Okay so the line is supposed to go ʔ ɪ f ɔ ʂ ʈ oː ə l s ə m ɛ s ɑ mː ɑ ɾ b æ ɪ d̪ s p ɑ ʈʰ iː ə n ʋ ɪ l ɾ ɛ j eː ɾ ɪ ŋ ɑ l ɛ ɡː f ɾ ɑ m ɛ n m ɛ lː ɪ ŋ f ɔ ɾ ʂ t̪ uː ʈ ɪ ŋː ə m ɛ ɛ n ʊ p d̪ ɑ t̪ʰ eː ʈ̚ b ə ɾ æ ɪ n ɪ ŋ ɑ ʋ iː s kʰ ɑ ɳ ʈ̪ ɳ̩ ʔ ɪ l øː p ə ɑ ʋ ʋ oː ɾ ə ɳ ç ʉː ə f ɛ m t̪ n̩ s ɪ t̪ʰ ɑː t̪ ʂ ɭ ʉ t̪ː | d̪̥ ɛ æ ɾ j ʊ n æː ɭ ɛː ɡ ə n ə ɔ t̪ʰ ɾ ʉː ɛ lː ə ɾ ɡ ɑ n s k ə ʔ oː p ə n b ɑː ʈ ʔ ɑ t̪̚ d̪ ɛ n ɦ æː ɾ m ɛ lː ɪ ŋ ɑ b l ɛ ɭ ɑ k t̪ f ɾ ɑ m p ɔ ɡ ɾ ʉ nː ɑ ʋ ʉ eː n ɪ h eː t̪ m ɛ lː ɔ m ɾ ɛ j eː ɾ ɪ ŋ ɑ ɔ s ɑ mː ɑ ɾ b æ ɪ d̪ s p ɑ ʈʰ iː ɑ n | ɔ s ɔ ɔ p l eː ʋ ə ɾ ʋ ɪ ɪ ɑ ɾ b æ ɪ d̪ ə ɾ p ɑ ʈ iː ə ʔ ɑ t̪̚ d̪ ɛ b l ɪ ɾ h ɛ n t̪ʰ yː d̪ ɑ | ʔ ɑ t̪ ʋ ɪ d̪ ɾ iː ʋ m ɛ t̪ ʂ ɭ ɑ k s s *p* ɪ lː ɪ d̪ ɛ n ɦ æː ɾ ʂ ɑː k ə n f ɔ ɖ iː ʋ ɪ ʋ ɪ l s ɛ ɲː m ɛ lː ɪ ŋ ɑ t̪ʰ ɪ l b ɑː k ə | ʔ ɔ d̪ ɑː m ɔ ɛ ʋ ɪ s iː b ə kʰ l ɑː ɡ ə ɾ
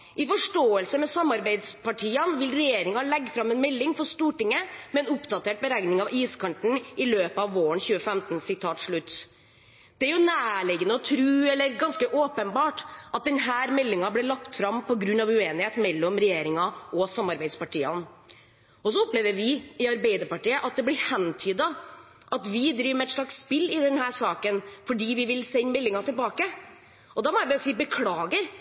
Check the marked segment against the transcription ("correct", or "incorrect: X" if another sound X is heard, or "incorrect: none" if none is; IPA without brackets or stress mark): correct